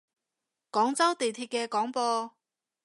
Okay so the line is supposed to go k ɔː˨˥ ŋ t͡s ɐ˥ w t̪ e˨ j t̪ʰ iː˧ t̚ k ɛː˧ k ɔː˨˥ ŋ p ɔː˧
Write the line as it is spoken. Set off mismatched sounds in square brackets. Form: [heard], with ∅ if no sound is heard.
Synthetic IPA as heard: k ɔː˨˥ ŋ t͡s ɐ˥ w t̪ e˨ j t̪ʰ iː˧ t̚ k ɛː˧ k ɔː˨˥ ŋ p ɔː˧